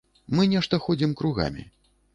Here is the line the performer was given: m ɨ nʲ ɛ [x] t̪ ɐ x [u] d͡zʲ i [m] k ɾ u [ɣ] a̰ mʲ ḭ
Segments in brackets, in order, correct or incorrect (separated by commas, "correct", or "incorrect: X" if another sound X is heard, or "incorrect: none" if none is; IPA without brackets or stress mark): incorrect: ʂ, incorrect: ɔ, correct, correct